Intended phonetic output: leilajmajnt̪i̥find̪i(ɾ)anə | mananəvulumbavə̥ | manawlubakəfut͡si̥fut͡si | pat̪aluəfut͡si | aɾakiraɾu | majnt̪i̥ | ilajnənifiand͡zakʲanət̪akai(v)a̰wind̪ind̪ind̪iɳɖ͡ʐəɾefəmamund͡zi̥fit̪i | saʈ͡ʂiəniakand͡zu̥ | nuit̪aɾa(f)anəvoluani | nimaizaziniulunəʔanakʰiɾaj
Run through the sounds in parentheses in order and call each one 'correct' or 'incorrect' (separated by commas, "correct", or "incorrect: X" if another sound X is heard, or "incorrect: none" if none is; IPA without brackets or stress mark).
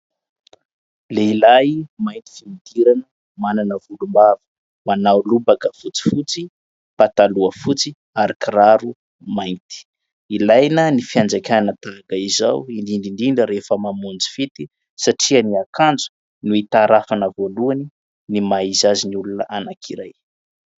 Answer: correct, incorrect: z, correct